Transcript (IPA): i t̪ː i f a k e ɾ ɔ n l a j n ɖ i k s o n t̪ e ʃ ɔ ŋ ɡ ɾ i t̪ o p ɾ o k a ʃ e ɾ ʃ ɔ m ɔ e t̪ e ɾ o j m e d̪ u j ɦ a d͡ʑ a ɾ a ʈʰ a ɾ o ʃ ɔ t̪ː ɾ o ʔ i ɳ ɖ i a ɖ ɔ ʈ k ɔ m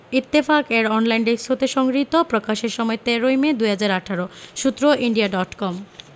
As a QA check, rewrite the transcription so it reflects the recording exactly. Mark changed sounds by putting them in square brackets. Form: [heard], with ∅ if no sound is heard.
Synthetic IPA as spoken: i t̪ː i f a k e ɾ ɔ n l a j n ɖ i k s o [∅] t̪ e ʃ ɔ ŋ ɡ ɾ i t̪ o p ɾ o k a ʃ e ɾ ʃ ɔ m ɔ e t̪ e ɾ o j m e d̪ u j ɦ a d͡ʑ a ɾ a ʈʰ a ɾ o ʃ [u] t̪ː ɾ o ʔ i ɳ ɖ i a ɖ ɔ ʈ k ɔ m